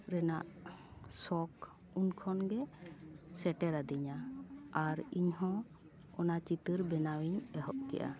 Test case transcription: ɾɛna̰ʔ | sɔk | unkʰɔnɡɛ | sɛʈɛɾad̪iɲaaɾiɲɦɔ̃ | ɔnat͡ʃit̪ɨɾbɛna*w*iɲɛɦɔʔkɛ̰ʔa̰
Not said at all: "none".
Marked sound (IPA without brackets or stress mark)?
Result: w